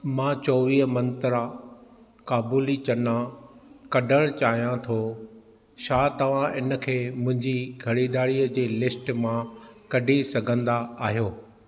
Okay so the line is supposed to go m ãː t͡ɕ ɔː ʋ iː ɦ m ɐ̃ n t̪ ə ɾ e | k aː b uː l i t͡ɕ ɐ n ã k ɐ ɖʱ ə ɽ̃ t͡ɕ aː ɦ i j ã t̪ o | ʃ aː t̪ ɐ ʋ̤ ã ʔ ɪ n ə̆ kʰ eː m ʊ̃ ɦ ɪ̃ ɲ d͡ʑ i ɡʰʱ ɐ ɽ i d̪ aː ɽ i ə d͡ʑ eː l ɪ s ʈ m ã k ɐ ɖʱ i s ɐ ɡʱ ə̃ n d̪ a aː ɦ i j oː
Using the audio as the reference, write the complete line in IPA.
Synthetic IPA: m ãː t͡ɕ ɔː ʋ iː ɦ m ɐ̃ n t̪ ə ɾ a | k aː b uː l i t͡ɕ ɐ n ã k ɐ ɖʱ ə ɽ̃ t͡ɕ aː ɦ i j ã t̪ʰ o | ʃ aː t̪ ɐ ʋ̤ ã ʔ ɪ n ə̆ kʰ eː m ʊ̃ ɦ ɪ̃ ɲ d͡ʑ i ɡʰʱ ɐ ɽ i d̪ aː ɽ i ə d͡ʑ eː l ɪ s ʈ m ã k ɐ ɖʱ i s ɐ ɡʱ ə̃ n d̪ a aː ɦ i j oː

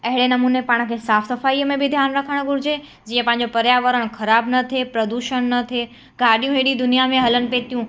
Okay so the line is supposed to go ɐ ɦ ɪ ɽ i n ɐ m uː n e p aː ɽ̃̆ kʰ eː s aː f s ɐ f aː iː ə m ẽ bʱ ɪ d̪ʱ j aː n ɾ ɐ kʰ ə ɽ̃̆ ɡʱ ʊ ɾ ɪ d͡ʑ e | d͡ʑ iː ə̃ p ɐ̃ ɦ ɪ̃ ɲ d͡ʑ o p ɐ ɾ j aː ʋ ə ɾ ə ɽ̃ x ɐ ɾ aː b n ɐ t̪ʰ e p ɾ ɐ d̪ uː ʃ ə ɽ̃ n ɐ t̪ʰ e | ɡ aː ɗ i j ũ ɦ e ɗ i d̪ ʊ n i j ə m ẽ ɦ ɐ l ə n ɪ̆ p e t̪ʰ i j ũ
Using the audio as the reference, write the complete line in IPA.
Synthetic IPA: ɐ ɦ ɪ ɽ e n ɐ m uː n e p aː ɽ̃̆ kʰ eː s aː f s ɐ f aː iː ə m ẽ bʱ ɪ d̪ʱ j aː n ɾ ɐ kʰ ə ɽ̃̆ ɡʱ ʊ ɾ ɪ d͡ʑ e | d͡ʑ iː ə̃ p ɐ̃ ɦ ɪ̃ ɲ d͡ʑ o p ɐ ɾ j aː ʋ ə ɾ ə ɽ̃ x ɐ ɾ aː b n ɐ t̪ʰ e p ɾ ɐ d̪ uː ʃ ə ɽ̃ n ɐ t̪ʰ e | ɡ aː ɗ i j ũ ɦ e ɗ i d̪ ʊ n i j a m ẽ ɦ ɐ l ə n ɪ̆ p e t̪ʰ i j ũ

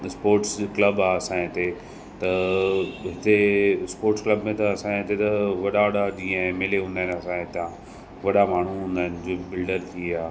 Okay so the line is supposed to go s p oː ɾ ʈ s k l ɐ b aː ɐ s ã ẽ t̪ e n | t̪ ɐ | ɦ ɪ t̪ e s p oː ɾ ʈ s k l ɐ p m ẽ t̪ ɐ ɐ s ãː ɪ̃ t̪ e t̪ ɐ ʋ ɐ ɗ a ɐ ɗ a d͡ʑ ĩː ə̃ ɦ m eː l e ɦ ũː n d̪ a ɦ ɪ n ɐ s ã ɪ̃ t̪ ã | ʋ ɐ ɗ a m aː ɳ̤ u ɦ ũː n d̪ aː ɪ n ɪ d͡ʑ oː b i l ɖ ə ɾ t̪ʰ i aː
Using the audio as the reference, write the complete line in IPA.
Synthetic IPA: s p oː ɾ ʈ s k l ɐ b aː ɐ s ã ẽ t̪ e | t̪ ɐ | ɦ ɪ t̪ e s p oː ɾ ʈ s k l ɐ b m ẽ t̪ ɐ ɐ s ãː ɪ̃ t̪ e t̪ ɐ ʋ ɐ ɗ a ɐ ɗ a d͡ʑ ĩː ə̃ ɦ m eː l e ɦ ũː n d̪ a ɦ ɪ n ɐ s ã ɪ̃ t̪ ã | ʋ ɐ ɗ a m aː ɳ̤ u ɦ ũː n d̪ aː ɪ n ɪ d͡ʑ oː b ɪ l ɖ ə ɾ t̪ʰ i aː

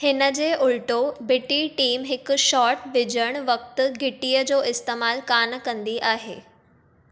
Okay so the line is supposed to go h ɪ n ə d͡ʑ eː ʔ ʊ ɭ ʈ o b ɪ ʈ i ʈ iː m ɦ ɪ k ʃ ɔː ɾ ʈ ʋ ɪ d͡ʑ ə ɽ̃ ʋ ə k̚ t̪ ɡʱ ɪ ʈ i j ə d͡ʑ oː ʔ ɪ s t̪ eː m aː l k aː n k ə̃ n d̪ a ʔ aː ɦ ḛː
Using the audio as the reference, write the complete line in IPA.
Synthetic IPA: h ɪ n ə d͡ʑ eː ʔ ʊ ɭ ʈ o b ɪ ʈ i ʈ iː m ɦ ɪ k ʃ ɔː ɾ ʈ ʋ ɪ d͡ʑ ə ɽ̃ ʋ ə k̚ t̪ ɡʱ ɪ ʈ i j ə d͡ʑ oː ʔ ɪ s t̪ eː m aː l k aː n k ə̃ n d̪ i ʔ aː ɦ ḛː

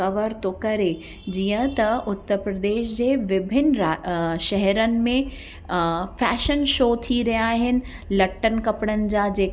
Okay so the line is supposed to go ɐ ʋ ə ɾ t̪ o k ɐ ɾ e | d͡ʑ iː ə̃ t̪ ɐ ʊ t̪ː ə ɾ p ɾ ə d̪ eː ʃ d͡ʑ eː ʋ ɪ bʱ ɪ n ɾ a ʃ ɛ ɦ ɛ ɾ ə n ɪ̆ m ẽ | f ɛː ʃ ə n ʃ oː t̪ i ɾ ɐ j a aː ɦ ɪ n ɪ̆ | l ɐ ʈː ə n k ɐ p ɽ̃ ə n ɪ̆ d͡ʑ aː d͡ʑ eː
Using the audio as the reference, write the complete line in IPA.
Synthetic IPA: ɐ ʋ ə ɾ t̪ o k ɐ ɾ e | d͡ʑ iː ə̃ t̪ ɐ ʊ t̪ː ə ɾ p ɾ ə d̪ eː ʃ d͡ʑ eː ʋ ɪ bʱ ɪ n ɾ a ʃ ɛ ɦ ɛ ɾ ə n ɪ̆ m ẽ | f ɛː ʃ ə n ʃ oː t̪ʰ i ɾ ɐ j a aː ɦ ɪ n ɪ̆ | l ɐ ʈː ə n k ɐ p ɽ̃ ə n ɪ̆ d͡ʑ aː d͡ʑ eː

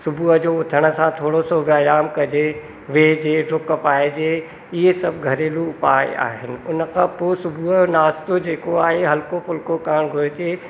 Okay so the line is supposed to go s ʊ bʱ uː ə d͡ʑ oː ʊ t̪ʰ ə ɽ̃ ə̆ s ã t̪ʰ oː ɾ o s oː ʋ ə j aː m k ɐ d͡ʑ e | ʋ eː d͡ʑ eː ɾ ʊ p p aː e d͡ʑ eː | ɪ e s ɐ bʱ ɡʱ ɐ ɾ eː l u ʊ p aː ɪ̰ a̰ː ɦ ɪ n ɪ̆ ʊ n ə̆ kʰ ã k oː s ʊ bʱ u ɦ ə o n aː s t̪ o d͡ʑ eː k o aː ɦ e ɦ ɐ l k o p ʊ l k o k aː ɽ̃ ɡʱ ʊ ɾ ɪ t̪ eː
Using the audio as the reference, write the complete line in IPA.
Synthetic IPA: s ʊ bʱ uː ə d͡ʑ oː ʊ t̪ʰ ə ɽ̃ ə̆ s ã t̪ʰ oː ɽ o s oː ʋ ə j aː m k ɐ d͡ʑ e | ʋ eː d͡ʑ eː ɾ ʊ k p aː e d͡ʑ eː | ɪ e s ɐ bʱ ɡʱ ɐ ɾ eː l u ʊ p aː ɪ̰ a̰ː ɦ ɪ n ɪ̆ ʊ n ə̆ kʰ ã p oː s ʊ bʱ u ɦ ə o n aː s t̪ o d͡ʑ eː k o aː ɦ e ɦ ɐ l k o p ʊ l k o k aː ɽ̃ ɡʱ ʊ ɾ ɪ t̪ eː

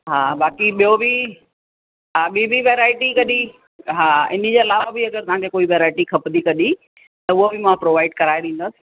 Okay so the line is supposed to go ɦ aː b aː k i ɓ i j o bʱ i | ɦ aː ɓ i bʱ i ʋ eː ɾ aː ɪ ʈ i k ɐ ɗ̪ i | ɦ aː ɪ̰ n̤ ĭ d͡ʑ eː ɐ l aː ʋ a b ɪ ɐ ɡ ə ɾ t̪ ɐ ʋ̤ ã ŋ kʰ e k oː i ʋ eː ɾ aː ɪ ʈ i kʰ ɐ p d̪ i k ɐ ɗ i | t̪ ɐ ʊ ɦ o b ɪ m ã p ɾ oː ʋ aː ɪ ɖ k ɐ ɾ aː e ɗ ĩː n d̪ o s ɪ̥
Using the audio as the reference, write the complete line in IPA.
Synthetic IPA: ɦ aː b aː k i ɓ i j o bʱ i | ɦ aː ɓ i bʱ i ʋ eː ɾ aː ɪ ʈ i k ɐ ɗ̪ i | ɦ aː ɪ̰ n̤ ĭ d͡ʑ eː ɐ l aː ʋ a b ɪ ɐ ɡ ə ɾ t̪ ɐ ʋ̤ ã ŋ kʰ e k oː i ʋ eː ɾ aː ɪ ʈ i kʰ ɐ p d̪ i k ɐ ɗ i | t̪ ɐ ʊ ɦ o b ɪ m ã p ɾ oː ʋ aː ɪ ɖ k ɐ ɾ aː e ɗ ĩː n d̪ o s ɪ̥

